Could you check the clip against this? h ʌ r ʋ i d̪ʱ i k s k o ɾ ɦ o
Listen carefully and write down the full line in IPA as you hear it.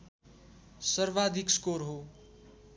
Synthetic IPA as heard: s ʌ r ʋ a d̪ʱ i k s k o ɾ ɦ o